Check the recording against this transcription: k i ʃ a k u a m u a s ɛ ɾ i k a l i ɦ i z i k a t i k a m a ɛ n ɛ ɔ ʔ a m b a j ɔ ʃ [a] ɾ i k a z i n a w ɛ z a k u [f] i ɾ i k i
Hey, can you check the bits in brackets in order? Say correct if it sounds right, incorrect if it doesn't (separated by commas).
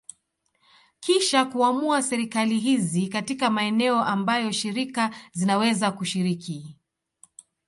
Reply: incorrect, incorrect